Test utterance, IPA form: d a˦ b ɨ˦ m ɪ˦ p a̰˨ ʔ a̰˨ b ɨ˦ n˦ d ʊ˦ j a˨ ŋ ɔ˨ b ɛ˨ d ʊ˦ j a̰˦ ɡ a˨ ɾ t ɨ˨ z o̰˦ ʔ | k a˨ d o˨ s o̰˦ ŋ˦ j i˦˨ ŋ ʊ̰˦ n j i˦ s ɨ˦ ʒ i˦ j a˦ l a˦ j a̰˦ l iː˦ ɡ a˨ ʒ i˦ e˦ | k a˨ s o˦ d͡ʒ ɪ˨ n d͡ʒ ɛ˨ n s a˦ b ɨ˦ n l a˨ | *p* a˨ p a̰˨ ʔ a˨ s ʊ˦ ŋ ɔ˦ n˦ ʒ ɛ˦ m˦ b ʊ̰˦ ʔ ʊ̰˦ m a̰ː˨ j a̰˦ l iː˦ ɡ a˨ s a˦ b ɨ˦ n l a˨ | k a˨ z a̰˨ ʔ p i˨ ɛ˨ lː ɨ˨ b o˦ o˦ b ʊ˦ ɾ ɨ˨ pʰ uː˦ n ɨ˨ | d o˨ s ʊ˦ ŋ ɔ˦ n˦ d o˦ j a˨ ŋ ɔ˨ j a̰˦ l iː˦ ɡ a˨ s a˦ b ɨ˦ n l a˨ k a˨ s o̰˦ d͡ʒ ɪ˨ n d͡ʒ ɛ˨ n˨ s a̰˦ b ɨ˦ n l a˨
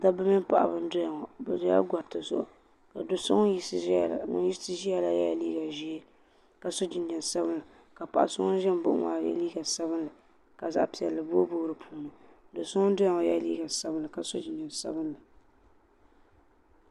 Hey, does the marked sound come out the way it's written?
no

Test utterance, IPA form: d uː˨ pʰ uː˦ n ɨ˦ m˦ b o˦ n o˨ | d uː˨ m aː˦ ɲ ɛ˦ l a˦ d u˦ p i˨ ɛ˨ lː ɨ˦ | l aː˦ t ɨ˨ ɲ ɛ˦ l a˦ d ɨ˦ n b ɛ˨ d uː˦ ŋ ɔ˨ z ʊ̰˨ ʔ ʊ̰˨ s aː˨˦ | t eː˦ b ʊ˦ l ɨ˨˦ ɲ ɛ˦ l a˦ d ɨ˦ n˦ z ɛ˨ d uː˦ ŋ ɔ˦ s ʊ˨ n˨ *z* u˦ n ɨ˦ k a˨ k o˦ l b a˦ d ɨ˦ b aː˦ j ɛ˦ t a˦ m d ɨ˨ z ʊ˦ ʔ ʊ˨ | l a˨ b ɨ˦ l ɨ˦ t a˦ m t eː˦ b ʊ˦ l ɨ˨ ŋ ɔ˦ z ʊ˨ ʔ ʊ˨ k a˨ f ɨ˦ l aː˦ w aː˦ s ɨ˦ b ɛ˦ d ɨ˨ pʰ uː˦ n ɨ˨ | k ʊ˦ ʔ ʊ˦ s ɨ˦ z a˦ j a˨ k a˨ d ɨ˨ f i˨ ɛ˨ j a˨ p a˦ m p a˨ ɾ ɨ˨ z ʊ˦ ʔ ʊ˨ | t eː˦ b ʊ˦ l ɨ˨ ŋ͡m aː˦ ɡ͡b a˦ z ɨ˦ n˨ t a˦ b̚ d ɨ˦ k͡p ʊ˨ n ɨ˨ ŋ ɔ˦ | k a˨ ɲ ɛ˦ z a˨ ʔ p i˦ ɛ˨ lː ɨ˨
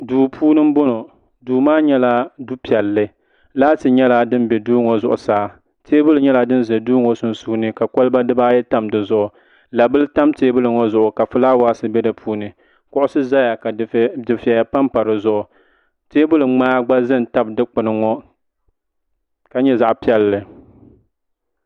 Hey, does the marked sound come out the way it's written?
no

